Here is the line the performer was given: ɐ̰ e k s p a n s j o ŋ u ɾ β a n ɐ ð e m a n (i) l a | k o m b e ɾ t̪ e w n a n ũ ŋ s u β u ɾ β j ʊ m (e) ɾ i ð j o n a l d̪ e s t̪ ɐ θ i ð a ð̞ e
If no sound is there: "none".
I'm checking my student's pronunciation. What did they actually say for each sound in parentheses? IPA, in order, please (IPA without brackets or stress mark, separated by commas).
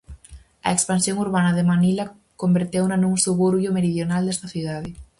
i, e